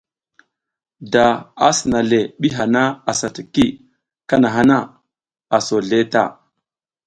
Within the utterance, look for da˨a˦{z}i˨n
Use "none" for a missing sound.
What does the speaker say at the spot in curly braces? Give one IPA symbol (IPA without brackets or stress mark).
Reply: s